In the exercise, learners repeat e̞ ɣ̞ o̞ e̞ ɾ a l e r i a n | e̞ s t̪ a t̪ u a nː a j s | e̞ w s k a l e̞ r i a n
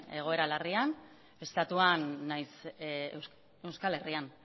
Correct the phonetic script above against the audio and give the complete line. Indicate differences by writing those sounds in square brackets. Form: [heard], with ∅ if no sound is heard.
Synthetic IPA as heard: e̞ ɣ̞ o̞ e̞ ɾ a l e r i a n | e̞ s t̪ a t̪ u a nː a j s | e̞ w s k a l e̞ r i a n